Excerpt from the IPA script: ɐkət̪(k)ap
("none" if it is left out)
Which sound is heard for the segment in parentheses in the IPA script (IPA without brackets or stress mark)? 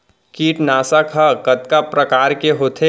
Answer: k